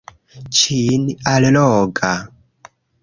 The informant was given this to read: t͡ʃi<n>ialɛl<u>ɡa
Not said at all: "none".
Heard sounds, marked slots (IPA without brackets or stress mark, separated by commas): n, ɔ